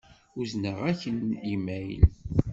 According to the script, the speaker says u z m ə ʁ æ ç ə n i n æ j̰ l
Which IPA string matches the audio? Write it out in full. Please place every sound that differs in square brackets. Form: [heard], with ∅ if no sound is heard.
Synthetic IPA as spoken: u z [n] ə ʁ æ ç ə n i [m] æ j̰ l